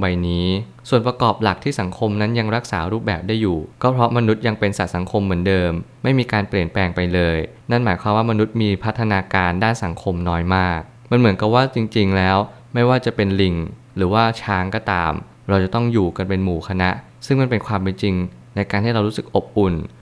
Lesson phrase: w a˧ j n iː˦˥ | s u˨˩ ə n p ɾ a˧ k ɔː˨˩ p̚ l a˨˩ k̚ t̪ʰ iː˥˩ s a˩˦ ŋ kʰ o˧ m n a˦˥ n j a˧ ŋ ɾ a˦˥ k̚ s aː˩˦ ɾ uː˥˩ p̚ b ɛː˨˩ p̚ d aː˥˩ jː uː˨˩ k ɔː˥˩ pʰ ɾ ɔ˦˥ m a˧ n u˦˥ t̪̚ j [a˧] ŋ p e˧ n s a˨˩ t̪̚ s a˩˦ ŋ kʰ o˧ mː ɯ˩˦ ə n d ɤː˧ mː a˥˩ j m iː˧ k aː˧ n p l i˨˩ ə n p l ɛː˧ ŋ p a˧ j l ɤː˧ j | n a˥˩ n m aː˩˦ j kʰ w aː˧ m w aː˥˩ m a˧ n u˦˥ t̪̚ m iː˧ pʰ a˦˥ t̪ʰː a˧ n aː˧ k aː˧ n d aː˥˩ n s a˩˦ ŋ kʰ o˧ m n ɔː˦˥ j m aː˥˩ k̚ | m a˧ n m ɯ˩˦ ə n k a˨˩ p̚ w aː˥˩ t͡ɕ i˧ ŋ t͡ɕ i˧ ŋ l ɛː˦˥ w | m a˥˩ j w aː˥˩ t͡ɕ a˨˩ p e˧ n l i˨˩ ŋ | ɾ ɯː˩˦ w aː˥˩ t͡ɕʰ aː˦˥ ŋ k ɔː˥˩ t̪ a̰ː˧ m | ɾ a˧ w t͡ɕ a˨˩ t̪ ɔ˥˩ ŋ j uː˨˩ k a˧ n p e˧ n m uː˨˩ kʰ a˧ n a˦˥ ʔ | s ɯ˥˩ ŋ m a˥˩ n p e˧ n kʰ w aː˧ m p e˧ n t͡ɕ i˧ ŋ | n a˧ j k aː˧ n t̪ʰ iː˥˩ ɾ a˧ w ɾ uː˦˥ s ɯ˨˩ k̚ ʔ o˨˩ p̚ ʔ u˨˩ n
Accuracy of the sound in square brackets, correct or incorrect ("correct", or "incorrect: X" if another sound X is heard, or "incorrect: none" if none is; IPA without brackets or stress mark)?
correct